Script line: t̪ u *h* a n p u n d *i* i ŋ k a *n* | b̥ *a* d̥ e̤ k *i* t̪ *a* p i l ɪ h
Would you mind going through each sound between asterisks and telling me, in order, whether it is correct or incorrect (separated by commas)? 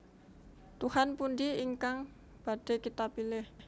correct, correct, incorrect, correct, correct, correct